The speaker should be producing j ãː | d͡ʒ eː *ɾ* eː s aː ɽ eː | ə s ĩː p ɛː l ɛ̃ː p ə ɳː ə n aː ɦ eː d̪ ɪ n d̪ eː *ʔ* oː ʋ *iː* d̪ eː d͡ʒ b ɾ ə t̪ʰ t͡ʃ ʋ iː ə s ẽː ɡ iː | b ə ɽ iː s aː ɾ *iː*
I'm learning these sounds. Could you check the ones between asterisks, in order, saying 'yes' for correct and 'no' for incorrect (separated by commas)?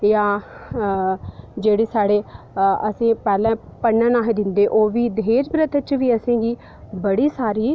no, yes, yes, yes